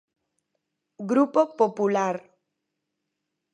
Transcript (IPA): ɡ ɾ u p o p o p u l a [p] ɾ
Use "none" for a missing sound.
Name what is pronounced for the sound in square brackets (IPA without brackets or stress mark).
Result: none